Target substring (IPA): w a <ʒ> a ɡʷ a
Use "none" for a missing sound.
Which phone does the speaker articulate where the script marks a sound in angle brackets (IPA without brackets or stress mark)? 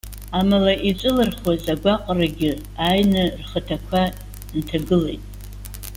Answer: z